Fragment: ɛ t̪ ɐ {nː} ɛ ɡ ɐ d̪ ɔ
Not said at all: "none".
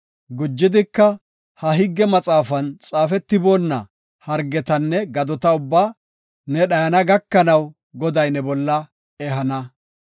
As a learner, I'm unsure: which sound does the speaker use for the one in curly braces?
nː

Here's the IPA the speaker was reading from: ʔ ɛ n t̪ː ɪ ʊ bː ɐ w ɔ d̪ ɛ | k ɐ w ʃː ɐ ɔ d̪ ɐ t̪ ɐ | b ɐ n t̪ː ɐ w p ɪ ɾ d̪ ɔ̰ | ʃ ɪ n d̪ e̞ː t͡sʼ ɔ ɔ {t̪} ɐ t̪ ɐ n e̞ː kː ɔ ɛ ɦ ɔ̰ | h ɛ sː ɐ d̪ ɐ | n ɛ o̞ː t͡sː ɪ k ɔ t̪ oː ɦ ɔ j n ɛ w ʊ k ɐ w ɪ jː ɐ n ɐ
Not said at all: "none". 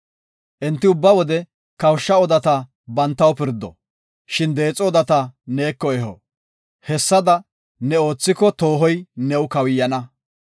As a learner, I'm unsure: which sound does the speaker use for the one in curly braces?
d̪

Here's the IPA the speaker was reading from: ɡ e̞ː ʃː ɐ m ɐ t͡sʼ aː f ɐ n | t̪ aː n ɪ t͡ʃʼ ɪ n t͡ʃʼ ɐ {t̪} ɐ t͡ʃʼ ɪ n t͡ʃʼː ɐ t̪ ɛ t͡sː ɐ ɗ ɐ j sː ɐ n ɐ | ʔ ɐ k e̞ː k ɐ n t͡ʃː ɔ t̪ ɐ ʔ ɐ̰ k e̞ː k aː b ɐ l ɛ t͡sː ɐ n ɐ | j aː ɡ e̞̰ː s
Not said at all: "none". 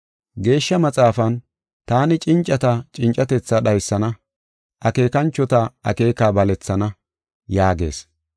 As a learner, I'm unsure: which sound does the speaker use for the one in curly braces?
t̪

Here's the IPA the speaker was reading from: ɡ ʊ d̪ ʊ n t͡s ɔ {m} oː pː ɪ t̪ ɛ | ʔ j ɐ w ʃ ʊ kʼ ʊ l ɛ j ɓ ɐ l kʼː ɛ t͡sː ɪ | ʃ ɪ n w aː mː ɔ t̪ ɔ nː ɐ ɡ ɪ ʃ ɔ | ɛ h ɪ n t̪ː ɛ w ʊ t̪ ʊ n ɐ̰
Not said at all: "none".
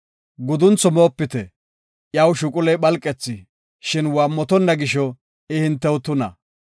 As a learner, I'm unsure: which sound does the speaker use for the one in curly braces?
m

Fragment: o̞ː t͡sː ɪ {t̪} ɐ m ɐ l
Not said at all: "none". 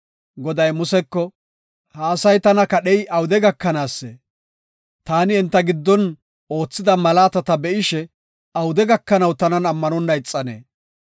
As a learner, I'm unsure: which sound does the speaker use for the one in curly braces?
d̪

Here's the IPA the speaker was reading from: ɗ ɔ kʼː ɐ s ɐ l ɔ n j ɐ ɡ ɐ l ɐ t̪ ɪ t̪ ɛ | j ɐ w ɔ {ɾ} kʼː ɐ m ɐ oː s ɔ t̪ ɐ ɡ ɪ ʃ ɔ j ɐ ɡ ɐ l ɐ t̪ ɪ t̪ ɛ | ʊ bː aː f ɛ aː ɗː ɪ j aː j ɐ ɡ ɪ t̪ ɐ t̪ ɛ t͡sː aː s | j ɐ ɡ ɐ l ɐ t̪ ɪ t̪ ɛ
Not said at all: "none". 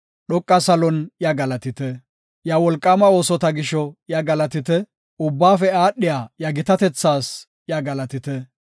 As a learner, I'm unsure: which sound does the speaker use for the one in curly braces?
l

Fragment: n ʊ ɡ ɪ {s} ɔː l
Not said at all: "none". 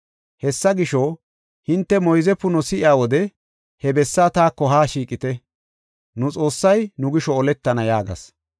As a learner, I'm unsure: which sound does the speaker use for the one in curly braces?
ʃ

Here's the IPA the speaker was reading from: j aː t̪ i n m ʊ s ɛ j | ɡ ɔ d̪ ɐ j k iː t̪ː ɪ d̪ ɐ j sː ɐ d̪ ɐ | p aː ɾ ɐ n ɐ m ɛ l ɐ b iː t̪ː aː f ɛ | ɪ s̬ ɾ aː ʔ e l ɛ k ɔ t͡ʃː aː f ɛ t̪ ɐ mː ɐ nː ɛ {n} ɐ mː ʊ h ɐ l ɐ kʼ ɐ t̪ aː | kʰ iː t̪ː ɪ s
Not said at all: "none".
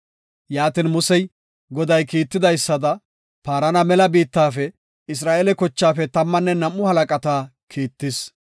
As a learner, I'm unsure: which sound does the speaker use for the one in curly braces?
n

